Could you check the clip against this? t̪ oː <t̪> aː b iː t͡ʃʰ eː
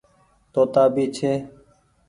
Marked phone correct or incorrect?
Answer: correct